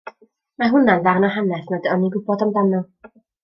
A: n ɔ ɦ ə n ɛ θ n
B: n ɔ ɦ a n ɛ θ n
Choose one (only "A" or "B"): B